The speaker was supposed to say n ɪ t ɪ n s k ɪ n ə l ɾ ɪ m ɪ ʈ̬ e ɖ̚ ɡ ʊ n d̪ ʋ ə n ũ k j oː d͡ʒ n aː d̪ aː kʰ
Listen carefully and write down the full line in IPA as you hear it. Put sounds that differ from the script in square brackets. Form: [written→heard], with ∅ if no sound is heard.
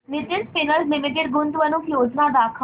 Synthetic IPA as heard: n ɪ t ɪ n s [k→p] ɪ n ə l [ɾ→l] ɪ m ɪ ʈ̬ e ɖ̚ ɡ ʊ n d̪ ʋ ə n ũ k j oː d͡ʒ n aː d̪ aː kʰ